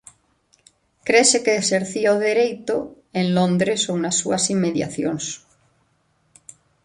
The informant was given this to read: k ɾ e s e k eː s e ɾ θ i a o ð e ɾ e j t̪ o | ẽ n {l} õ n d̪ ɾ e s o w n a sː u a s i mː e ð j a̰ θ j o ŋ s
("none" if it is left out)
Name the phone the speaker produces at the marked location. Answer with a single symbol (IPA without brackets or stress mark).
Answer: l